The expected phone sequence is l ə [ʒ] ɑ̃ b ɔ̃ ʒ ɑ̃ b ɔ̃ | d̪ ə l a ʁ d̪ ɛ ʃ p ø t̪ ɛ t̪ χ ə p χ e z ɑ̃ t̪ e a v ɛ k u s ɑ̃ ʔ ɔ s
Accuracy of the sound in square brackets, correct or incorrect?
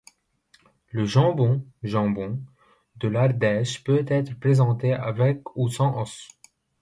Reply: correct